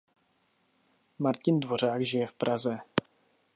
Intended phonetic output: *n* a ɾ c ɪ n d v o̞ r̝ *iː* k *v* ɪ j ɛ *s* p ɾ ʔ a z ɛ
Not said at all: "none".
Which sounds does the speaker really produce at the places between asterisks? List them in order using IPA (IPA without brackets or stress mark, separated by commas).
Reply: m, aː, ʒ, f